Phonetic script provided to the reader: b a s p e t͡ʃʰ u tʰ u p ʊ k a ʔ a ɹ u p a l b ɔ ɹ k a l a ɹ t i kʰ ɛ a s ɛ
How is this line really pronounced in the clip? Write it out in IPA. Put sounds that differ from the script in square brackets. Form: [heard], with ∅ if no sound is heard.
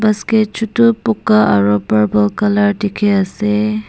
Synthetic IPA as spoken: b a s [k] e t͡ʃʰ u [t] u p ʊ k a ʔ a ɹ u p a [ɹ] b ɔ [l] k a l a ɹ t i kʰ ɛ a s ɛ

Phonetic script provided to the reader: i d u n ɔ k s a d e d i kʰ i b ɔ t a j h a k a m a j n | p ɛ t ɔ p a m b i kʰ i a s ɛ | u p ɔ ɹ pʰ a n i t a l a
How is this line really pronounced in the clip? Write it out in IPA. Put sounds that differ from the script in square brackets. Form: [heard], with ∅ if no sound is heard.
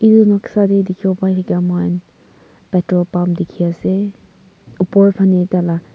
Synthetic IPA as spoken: i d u n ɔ k s a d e d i kʰ i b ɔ [p] a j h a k a m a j n | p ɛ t ɔ p a m [d] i kʰ i a s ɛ | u p ɔ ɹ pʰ a n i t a l a

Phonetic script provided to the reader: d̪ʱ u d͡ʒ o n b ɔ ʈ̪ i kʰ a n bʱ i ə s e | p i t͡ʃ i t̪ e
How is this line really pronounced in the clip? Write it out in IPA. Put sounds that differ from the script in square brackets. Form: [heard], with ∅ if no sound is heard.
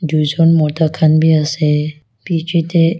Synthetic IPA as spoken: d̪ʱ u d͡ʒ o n [m] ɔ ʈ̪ [a] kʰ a n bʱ i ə s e | p i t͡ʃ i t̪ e

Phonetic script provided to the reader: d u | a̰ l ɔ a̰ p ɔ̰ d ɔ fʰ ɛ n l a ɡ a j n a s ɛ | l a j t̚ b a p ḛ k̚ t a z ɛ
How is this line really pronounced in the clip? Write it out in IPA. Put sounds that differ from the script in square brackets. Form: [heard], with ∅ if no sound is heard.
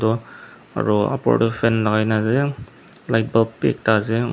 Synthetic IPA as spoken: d [ɔ] | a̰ [ɹ] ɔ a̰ p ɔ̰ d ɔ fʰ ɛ n l a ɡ a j n a [z] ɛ | l a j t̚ b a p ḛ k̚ t a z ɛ

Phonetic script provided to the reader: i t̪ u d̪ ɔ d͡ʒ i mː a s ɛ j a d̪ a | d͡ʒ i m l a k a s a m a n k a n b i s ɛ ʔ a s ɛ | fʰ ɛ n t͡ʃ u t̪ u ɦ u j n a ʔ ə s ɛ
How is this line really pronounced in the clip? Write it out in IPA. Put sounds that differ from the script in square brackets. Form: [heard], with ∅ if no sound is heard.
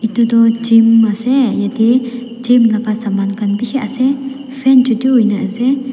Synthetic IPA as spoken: i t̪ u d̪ ɔ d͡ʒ i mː a s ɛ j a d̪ [i] | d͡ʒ i m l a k a s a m a n k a n b i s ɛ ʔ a s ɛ | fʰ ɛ n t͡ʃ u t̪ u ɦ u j n a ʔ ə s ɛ

